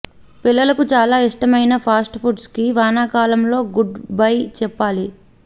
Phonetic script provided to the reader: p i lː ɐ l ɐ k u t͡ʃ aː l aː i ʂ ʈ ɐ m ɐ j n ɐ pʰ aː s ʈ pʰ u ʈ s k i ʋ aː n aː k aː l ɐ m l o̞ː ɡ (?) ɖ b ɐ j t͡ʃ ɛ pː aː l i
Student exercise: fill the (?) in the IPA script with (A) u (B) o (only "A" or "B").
A